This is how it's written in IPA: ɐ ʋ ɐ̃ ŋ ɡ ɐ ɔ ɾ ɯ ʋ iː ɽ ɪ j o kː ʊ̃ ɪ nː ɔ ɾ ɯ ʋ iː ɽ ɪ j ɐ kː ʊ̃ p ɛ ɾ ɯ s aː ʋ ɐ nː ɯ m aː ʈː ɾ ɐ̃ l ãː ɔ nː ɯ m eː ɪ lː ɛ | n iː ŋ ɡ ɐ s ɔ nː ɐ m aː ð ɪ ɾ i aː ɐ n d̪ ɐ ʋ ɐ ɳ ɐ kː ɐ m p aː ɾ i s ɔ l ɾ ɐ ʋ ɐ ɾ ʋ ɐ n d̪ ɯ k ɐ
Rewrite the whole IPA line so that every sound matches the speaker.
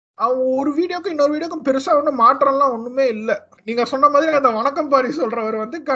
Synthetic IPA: ɐ ʋ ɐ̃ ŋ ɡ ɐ ɔ ɾ ɯ ʋ iː ɽ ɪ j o kː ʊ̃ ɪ nː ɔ ɾ ɯ ʋ iː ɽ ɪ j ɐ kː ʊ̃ p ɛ ɾ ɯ s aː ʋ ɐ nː ɯ m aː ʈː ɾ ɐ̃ l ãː ɔ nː ɯ m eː ɪ lː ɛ | n iː ŋ ɡ ɐ s ɔ nː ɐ m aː ð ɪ ɾ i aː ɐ n d̪ ɐ ʋ ɐ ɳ ɐ kː ɐ m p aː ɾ i s ɔ l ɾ ɐ ʋ ɐ ɾ ʋ ɐ n d̪ ɯ k ɐ